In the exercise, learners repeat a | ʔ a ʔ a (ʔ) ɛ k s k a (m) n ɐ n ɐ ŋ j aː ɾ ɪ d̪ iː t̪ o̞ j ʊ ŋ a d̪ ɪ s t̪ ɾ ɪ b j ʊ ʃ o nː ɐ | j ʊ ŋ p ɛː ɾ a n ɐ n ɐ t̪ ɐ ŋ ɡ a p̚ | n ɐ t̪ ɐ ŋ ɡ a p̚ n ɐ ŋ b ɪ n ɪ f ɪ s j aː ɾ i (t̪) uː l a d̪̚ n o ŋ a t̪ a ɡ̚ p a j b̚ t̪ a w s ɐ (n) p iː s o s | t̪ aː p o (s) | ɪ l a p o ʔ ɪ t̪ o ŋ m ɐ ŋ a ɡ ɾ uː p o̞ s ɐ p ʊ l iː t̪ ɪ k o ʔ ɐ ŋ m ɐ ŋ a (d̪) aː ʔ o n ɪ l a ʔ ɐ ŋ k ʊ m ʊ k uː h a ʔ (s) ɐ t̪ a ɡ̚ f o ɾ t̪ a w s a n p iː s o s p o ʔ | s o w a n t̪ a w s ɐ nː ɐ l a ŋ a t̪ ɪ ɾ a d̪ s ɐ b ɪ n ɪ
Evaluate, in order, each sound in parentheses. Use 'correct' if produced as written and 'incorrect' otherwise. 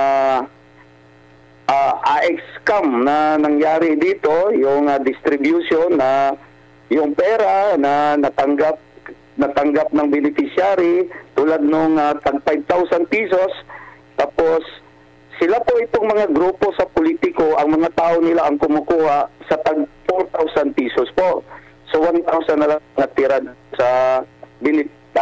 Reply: correct, correct, correct, correct, incorrect, incorrect, correct

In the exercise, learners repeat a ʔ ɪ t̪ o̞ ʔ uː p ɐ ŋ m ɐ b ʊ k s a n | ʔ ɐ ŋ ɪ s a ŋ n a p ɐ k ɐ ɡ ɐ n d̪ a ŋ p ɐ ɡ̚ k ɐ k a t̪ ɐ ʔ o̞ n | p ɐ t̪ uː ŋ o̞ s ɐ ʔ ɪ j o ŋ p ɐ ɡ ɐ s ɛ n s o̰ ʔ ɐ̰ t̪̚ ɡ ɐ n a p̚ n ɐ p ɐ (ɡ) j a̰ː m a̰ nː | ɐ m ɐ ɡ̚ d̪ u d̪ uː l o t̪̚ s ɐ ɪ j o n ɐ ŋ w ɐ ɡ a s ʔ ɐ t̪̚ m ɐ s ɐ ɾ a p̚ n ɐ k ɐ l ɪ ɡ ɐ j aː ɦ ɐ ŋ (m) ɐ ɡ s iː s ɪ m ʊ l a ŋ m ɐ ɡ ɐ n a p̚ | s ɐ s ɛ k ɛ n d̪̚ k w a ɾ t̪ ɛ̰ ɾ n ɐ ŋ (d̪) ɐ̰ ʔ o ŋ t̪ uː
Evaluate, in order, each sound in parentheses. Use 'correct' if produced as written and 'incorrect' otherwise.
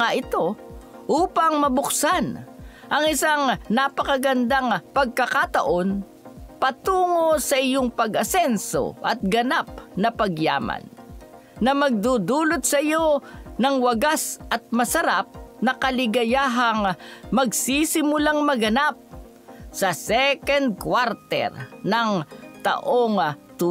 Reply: correct, correct, incorrect

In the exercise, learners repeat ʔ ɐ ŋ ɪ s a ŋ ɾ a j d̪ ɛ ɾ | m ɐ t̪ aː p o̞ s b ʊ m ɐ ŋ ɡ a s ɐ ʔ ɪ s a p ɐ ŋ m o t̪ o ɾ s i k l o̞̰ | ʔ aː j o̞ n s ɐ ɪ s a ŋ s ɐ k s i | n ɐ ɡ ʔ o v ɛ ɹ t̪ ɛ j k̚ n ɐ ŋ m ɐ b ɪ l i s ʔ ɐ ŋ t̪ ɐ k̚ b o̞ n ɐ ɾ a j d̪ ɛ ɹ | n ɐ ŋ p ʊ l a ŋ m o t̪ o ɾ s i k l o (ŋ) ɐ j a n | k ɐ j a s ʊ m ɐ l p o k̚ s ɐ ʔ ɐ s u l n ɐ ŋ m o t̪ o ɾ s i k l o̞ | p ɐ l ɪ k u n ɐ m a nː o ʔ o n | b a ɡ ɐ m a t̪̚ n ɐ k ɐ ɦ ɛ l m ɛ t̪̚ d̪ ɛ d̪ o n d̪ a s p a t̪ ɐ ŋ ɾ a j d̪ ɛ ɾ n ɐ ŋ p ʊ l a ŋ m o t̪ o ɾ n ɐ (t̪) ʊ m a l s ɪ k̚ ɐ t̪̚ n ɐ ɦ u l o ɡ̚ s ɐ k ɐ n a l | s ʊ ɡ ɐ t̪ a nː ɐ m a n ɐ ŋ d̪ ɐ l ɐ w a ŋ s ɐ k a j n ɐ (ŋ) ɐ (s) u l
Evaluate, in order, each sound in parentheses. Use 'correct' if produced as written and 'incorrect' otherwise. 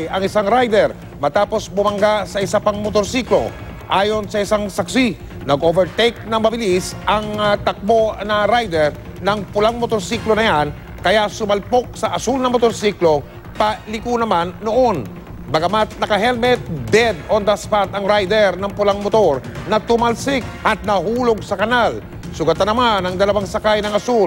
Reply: incorrect, correct, correct, correct

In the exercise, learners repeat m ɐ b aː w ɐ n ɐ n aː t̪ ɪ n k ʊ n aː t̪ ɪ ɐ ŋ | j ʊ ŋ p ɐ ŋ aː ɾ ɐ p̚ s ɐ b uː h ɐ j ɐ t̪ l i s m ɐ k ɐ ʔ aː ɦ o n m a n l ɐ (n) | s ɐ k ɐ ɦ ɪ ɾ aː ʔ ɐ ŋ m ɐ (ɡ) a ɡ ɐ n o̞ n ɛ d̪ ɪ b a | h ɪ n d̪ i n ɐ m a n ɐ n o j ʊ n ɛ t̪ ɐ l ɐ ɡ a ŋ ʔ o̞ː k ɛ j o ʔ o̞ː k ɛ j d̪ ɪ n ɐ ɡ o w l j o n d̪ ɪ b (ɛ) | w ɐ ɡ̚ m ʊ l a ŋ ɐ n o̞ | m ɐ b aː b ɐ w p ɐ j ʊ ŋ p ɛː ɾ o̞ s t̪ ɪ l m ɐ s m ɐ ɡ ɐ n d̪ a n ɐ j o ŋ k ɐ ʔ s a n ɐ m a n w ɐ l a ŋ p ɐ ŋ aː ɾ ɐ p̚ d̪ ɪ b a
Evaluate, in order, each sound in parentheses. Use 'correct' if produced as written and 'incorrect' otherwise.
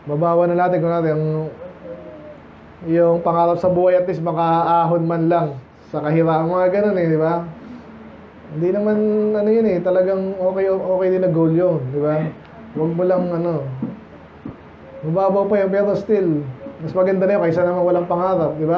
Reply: incorrect, incorrect, incorrect

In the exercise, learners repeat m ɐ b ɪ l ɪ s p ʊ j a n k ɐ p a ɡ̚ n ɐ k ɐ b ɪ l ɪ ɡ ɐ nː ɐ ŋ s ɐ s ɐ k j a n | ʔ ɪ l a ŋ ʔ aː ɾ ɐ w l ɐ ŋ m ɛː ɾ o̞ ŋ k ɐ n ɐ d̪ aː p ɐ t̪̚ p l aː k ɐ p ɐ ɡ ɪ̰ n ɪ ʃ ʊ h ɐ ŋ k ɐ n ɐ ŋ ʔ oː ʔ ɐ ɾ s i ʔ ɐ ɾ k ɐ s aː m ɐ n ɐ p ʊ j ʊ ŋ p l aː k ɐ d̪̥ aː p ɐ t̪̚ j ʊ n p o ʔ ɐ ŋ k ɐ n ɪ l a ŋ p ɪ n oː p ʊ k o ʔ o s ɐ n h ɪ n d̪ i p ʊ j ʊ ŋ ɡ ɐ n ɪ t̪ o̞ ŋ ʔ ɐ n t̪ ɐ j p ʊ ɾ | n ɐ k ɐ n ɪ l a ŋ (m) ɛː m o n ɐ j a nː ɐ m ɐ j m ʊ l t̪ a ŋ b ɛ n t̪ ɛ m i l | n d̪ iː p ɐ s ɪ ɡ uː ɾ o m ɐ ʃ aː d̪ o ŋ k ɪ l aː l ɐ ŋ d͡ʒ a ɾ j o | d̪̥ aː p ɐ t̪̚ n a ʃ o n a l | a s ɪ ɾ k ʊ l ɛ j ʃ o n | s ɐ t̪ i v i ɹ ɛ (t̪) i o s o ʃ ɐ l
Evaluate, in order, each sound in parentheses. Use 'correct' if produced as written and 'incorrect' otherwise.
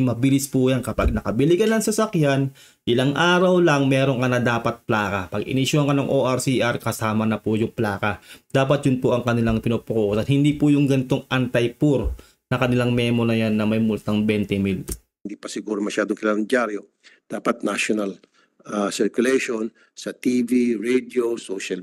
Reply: correct, incorrect

